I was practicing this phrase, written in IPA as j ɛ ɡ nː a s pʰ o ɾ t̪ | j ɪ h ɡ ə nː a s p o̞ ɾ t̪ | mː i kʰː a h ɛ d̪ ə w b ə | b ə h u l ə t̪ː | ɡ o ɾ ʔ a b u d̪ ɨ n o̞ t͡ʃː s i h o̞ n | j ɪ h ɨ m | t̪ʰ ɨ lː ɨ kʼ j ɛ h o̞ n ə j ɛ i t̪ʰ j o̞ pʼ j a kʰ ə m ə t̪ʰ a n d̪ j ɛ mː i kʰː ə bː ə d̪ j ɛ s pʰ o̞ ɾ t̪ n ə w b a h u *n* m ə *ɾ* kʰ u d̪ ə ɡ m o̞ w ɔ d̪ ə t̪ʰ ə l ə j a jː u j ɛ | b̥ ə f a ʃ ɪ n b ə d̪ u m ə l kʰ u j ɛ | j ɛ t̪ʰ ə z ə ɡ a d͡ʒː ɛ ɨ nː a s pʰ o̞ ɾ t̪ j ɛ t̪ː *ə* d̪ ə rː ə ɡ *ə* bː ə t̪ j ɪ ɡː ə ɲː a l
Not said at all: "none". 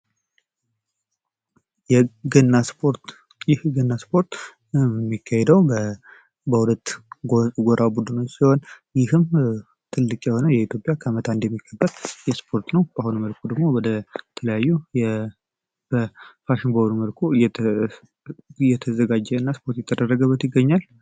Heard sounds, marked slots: n, l, ə, ə

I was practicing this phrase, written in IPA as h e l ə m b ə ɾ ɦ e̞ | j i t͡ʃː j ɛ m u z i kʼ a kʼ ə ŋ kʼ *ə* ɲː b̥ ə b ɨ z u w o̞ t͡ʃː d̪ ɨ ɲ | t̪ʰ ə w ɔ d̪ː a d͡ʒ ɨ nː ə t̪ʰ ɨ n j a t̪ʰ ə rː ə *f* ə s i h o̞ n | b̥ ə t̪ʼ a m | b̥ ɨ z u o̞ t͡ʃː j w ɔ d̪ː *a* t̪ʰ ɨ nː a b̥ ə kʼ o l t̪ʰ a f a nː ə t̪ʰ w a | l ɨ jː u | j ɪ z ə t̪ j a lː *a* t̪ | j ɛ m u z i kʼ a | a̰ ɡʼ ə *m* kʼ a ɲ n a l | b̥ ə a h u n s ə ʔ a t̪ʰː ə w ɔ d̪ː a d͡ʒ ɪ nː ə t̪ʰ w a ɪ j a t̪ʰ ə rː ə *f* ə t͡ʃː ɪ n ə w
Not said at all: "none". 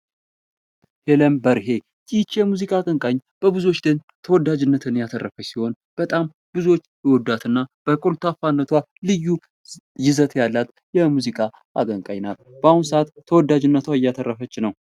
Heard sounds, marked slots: a, f, a, a, ŋ, f

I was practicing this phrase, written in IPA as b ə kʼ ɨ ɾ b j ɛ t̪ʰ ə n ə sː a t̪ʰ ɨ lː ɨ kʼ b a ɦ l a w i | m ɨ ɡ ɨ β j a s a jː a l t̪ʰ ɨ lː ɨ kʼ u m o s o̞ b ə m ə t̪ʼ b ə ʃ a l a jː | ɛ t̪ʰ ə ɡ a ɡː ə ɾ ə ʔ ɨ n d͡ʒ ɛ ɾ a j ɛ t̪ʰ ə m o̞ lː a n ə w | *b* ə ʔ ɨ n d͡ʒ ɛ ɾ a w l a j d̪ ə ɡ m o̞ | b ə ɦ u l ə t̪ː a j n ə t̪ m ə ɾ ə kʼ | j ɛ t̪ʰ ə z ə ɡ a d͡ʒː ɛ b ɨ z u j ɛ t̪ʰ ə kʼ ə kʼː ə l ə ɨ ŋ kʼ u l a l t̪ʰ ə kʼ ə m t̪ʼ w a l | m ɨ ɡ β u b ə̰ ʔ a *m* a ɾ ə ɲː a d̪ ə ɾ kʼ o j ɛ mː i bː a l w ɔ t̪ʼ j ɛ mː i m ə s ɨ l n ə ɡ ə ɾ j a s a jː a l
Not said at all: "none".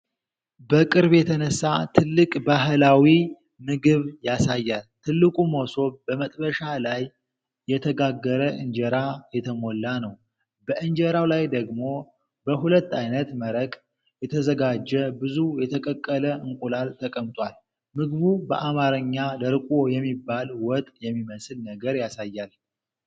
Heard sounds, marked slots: b, m

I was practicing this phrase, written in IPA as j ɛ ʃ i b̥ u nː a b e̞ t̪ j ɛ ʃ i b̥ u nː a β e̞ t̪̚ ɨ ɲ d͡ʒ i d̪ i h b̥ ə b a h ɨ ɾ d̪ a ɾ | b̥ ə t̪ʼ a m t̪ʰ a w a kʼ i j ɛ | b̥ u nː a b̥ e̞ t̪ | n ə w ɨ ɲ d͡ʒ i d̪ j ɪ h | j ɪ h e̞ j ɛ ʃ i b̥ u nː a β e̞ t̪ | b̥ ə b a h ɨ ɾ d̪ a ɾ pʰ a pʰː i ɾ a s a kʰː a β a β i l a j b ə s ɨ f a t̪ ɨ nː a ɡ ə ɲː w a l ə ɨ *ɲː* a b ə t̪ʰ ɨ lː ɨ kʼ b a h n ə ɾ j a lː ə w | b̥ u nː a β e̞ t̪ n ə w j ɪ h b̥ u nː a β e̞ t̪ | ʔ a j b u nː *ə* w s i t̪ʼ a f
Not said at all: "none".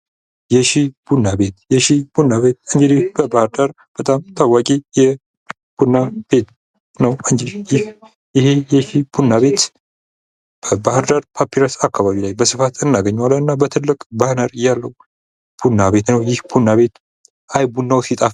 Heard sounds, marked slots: nː, a

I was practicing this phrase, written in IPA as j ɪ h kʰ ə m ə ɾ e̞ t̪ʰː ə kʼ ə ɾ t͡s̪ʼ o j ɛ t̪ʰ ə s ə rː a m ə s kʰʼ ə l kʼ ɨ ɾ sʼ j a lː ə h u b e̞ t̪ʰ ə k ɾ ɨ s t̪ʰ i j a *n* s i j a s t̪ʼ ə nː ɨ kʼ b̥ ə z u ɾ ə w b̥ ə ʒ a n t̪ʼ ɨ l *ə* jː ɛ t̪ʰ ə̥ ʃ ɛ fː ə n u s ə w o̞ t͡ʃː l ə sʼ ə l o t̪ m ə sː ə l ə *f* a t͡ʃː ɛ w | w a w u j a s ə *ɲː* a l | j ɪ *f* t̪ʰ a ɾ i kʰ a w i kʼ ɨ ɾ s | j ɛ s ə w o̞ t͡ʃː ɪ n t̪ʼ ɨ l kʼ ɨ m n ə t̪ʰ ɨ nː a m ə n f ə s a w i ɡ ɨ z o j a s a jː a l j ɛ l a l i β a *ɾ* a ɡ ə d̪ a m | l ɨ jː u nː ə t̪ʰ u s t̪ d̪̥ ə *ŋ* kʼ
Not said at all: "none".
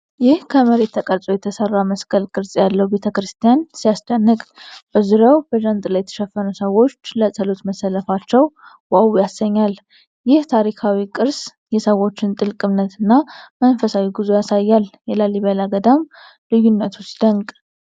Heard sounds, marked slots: n, a, f, ɲː, h, l, ŋ

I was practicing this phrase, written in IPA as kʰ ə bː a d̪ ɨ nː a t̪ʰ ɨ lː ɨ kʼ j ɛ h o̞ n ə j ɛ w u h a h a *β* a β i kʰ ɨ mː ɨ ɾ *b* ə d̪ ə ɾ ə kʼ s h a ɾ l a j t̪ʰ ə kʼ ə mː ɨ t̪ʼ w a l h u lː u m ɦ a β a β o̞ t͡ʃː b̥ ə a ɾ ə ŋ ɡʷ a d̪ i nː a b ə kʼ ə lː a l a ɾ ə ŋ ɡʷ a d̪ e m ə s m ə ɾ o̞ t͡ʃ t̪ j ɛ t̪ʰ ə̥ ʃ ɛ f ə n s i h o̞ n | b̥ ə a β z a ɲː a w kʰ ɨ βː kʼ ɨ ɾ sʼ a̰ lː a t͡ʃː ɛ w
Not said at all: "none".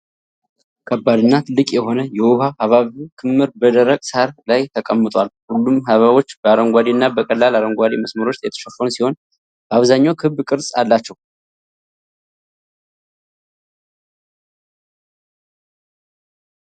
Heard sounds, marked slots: β, b

